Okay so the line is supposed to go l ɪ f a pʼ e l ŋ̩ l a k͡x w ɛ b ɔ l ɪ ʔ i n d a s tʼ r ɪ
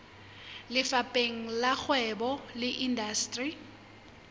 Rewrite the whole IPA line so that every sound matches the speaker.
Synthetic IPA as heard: l ɪ f a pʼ e ŋ̩ l a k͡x w ɛ b ɔ l ɪ ʔ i n d a s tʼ r i